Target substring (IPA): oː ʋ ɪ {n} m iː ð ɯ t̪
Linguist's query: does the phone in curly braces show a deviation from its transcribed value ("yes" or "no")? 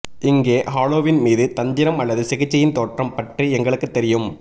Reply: no